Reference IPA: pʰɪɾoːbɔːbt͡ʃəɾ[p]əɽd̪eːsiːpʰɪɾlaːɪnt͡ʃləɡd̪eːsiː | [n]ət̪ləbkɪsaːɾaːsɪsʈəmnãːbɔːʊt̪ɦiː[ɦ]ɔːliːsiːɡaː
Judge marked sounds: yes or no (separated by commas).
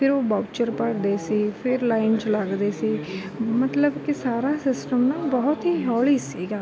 yes, no, yes